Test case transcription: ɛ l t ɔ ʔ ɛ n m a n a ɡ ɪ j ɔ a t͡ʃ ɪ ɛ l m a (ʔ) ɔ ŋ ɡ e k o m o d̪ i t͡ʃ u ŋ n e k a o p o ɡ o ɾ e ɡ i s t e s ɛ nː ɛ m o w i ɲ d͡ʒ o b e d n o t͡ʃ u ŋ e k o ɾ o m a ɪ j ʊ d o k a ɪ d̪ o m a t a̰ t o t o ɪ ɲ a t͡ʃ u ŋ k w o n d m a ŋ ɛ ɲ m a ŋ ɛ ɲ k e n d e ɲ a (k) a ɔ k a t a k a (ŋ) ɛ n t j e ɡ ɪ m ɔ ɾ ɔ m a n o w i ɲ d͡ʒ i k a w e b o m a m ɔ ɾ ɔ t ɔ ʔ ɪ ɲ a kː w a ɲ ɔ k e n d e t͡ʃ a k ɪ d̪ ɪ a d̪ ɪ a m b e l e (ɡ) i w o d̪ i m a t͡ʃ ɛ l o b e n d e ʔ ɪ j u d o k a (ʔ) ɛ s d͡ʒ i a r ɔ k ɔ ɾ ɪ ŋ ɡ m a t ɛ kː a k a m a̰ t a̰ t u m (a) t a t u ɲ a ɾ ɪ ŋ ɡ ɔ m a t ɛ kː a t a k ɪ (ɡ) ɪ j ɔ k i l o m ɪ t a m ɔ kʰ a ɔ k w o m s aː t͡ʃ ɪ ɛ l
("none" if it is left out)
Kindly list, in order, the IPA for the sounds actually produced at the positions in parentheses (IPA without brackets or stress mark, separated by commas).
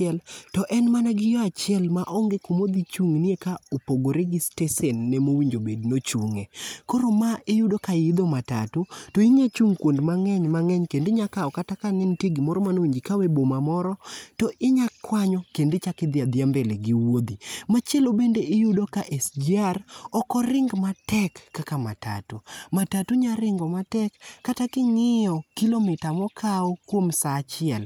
ʔ, k, ŋ, ɡ, ʔ, a, ŋ